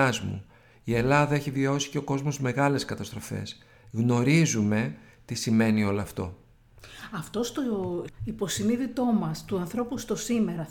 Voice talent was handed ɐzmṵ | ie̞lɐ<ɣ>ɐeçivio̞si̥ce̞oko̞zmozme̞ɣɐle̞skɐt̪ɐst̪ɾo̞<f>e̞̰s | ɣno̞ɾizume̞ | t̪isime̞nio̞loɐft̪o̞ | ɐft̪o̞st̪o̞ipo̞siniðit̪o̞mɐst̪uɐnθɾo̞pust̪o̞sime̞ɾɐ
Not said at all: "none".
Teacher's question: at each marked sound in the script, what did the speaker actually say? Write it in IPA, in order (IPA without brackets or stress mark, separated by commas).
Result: ð, f